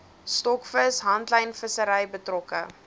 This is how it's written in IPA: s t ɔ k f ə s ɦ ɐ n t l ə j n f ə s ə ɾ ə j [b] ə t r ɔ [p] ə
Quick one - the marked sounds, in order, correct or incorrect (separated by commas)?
correct, incorrect